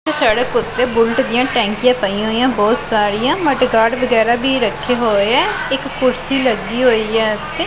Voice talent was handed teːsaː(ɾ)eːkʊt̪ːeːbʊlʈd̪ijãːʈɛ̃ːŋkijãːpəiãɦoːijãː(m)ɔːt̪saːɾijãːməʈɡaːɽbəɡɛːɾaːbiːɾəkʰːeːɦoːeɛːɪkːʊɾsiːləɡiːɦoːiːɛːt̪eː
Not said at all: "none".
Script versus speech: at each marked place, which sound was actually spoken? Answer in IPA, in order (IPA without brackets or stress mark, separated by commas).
ɽ, b